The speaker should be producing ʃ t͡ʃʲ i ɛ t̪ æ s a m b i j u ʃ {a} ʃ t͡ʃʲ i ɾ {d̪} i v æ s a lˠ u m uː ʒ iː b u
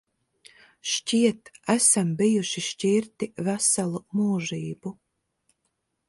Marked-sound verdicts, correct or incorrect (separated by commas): incorrect, incorrect